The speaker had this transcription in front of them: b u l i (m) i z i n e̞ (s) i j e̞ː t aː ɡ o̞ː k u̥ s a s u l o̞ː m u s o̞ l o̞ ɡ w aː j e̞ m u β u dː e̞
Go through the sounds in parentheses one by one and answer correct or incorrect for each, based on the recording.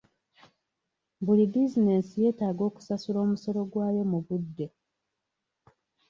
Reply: incorrect: b, correct

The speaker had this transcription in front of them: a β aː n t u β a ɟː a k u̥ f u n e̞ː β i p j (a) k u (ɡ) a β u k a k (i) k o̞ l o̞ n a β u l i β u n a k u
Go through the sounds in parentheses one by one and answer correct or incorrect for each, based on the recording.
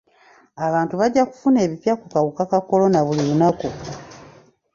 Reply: correct, incorrect: k, incorrect: a

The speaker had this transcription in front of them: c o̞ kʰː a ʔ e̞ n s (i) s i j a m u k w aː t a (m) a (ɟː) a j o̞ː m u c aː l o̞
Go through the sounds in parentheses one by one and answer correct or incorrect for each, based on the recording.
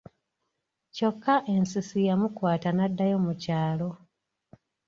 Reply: correct, incorrect: n, incorrect: dː

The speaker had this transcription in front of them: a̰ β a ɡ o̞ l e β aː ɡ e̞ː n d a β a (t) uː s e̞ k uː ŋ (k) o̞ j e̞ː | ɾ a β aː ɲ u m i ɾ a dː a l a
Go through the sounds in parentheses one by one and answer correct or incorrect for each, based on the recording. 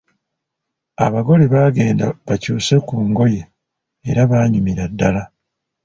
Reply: incorrect: c, incorrect: ɡ

